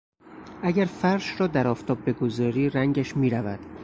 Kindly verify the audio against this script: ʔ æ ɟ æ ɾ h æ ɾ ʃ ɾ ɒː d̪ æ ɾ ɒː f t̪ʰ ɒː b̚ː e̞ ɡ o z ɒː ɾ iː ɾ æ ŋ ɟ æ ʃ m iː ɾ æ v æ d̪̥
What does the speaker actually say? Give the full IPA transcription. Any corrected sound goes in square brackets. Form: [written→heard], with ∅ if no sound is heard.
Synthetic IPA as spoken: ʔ æ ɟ æ ɾ [h→f] æ ɾ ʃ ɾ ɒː d̪ æ ɾ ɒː f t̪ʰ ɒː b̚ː e̞ ɡ o z ɒː ɾ iː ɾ æ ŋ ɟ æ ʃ m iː ɾ æ v æ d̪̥

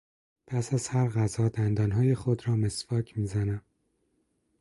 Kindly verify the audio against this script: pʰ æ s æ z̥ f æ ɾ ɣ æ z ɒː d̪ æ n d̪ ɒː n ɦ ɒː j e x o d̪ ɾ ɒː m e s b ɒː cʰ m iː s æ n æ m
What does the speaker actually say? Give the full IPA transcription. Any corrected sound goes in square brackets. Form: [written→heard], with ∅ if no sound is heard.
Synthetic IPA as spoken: pʰ æ s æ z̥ [f→h] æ ɾ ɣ æ z ɒː d̪ æ n d̪ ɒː n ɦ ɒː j e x o d̪ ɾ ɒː m e s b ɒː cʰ m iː [s→z] æ n æ m

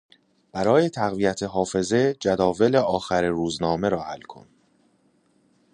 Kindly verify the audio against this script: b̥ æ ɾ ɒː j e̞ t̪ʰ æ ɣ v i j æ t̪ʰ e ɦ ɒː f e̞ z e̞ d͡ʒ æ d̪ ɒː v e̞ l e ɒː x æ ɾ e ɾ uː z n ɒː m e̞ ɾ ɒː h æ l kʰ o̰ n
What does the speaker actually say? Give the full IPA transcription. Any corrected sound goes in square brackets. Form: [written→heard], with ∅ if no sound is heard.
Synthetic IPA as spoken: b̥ æ ɾ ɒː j e̞ t̪ʰ æ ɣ v i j æ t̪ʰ e ɦ ɒː f e̞ z e̞ d͡ʒ æ d̪ ɒː v e̞ l e ɒː x æ ɾ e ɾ uː z n ɒː m e̞ ɾ ɒː h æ l kʰ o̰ n

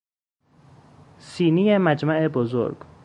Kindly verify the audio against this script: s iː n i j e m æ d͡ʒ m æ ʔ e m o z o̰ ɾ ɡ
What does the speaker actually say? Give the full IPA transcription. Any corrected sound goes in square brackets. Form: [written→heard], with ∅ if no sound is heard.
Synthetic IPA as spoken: s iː n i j e m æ d͡ʒ m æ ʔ e [m→b] o z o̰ ɾ ɡ

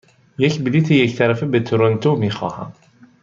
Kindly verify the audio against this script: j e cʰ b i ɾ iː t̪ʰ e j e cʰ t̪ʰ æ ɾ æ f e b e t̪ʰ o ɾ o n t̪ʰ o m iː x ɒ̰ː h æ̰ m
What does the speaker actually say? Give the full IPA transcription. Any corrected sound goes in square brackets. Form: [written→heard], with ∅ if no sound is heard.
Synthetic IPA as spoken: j e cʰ b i [ɾ→l] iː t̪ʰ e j e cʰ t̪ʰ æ ɾ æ f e b e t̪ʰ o ɾ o n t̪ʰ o m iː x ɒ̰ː h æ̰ m

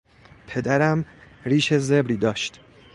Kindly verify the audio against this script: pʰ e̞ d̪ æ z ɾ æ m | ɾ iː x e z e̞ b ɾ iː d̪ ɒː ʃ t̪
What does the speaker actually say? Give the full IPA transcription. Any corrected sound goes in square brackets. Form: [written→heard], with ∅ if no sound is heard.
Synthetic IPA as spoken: pʰ e̞ d̪ æ [z→∅] ɾ æ m | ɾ iː [x→ʃ] e z e̞ b ɾ iː d̪ ɒː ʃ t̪

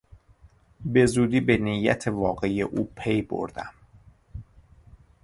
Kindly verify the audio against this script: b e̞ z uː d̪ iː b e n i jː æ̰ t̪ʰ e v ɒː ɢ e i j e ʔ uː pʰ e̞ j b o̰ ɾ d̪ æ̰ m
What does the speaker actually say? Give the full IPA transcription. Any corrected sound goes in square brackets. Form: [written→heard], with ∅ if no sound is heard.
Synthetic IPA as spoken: b e̞ z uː d̪ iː b e n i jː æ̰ t̪ʰ e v ɒː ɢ e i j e ʔ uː pʰ e̞ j b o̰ ɾ d̪ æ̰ m

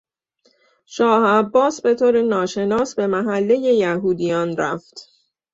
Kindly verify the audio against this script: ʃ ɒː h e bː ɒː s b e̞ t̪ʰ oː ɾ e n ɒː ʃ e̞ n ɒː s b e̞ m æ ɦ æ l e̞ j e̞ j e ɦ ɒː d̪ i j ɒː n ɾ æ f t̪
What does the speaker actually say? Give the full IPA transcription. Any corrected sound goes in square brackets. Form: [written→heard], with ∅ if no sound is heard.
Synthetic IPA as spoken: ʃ ɒː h [e→æ] bː ɒː s b e̞ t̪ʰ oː ɾ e n ɒː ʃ e̞ n ɒː s b e̞ m æ ɦ æ [l→lː] e̞ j e̞ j [e→æ] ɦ [ɒː→uː] d̪ i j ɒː n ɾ æ f t̪

